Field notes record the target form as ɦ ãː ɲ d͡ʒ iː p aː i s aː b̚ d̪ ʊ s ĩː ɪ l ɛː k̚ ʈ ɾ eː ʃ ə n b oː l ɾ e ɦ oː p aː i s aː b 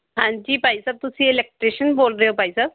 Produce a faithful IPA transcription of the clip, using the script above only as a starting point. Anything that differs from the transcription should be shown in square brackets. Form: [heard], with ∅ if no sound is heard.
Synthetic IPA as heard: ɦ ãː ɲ d͡ʒ iː p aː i s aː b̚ [t̪] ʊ s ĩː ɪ l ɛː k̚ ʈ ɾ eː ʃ ə n b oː l ɾ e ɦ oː p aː i s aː b